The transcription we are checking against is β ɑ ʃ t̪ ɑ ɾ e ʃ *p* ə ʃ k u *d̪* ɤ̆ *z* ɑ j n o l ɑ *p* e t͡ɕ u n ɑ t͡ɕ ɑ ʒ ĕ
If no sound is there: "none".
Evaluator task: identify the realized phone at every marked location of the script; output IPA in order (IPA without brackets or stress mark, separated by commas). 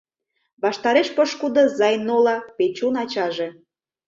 p, d̪, z, p